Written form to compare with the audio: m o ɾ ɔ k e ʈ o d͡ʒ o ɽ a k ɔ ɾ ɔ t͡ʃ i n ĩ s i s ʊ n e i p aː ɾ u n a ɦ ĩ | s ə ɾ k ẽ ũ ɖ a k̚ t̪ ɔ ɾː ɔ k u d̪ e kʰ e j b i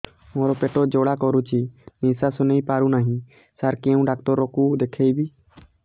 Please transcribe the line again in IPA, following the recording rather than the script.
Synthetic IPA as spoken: m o ɾ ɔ p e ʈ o d͡ʒ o ɽ a k ɔ ɾ u t͡ʃ i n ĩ s a s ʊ n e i p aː ɾ u n a ɦ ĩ | s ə ɾ k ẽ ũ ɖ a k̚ t̪ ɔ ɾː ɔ k u d̪ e kʰ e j b i